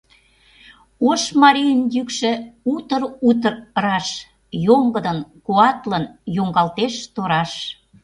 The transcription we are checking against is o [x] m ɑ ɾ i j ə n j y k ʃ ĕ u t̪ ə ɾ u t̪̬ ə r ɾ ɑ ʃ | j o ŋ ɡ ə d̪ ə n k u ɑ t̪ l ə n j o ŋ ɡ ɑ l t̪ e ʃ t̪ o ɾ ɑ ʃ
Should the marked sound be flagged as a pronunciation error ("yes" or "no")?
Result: yes